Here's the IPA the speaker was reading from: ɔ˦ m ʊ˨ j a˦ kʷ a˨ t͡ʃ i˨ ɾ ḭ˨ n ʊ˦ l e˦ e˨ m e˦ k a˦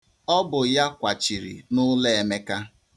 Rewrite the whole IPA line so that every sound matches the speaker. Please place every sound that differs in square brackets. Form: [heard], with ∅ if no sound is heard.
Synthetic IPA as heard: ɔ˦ [b] ʊ˨ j a˦ kʷ a˨ t͡ʃ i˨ ɾ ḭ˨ n ʊ˦ l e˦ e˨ m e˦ k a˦

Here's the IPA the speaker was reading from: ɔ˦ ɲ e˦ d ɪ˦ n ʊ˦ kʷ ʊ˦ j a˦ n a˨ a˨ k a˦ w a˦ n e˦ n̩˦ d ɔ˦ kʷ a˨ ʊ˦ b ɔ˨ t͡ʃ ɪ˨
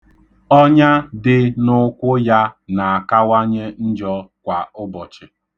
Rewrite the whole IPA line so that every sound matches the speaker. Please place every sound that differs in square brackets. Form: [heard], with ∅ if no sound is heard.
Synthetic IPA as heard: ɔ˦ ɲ [a˦] d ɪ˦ n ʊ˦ kʷ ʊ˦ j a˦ n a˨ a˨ k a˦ w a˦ [ɲ] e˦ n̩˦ [d͡ʒ] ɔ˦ kʷ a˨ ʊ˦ b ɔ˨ t͡ʃ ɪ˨

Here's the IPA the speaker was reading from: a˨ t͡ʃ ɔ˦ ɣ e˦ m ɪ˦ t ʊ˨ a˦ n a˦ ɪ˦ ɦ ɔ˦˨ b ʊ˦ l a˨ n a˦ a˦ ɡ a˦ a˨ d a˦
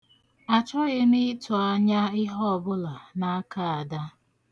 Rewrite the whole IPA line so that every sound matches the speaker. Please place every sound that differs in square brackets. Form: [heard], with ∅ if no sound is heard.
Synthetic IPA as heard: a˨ t͡ʃ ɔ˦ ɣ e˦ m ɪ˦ t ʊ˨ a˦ [ɲ] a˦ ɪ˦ ɦ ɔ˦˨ b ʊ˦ l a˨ n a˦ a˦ [k] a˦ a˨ d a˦

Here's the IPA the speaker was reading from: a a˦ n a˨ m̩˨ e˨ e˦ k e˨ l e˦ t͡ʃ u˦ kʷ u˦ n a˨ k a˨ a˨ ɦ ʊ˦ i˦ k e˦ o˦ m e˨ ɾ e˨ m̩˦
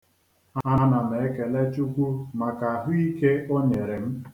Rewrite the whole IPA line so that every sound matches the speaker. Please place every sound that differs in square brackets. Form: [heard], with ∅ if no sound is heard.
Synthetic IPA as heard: a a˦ n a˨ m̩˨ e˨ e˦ k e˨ l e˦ t͡ʃ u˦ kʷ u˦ [m] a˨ k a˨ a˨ ɦ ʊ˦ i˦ k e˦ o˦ [ɲ] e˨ ɾ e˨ m̩˦

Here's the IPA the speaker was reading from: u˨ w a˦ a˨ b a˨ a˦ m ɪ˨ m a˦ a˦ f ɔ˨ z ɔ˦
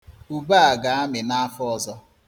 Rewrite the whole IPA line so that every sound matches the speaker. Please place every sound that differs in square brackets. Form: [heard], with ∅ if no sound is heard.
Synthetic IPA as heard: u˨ [b] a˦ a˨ [ɡ] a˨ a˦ m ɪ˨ [n] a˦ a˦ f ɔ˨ z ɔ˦

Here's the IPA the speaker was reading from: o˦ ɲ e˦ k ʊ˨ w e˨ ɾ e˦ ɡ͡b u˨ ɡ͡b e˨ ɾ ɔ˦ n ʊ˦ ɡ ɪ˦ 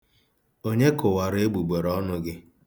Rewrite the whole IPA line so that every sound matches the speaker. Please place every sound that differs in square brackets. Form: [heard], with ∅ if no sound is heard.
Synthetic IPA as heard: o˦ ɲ e˦ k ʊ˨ w [a˨] ɾ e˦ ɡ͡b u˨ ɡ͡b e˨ ɾ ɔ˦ n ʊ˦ ɡ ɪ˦

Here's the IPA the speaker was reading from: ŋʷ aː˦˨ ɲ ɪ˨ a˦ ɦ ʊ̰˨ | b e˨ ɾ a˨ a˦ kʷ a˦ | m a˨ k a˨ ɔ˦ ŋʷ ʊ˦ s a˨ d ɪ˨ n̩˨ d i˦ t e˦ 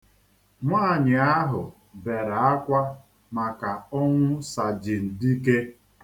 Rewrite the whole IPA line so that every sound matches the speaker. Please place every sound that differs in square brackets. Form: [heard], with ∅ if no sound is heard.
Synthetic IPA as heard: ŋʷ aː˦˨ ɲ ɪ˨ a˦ ɦ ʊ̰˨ | b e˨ ɾ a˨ a˦ kʷ a˦ | m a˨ k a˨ ɔ˦ ŋʷ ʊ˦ s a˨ [d͡ʒ] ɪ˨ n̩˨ d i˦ [k] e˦

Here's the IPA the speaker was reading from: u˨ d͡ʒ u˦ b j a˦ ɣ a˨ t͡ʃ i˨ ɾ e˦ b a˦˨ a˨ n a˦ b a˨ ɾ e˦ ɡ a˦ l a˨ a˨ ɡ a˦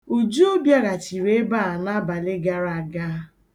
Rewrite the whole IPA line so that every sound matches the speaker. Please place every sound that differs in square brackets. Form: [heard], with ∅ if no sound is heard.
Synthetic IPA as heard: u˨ d͡ʒ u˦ b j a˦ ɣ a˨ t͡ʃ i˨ ɾ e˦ b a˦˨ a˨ n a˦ b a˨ [l] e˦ ɡ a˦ [ɾ] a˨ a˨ ɡ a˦

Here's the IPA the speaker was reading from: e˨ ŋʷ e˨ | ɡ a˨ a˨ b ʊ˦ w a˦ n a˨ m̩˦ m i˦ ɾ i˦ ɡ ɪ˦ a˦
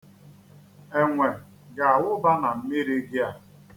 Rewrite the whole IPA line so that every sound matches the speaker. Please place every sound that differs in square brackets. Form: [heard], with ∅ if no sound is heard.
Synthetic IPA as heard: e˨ ŋʷ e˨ | ɡ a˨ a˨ [w] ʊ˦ [b] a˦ n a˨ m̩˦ m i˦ ɾ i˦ ɡ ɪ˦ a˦

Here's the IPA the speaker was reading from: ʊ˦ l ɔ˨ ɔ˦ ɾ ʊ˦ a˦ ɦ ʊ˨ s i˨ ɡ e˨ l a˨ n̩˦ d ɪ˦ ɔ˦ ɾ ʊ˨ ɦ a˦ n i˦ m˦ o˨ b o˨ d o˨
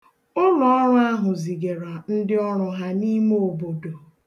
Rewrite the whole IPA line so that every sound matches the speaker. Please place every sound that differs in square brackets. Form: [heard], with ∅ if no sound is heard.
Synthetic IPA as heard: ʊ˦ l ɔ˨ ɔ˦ ɾ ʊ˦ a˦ ɦ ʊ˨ [z] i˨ ɡ e˨ [ɾ] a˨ n̩˦ d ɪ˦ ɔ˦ ɾ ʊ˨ ɦ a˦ n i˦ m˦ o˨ b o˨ d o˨

